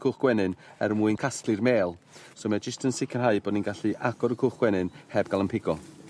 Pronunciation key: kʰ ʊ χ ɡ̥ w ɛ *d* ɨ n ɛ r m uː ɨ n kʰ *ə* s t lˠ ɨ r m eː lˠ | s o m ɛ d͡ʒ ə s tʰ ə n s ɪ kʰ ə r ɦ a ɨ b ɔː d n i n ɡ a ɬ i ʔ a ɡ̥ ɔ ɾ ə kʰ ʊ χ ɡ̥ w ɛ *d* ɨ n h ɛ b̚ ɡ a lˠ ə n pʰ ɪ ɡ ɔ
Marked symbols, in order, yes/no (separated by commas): no, no, no